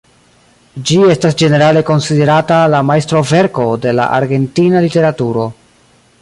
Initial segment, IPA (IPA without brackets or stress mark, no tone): d͡ʒ